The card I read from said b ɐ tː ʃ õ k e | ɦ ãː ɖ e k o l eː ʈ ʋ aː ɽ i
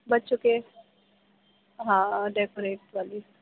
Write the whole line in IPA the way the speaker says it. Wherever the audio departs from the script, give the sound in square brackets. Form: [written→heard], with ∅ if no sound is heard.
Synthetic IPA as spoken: b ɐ tː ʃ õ k e | ɦ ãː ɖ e k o [l→ɾ] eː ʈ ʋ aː [ɽ→l] i